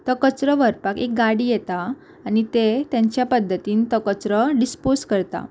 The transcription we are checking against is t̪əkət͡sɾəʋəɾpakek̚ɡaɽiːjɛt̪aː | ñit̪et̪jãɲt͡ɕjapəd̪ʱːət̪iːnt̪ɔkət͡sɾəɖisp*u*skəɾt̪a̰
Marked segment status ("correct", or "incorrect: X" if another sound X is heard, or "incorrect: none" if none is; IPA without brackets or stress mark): incorrect: o